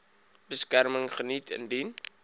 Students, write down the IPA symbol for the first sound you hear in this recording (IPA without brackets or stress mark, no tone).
b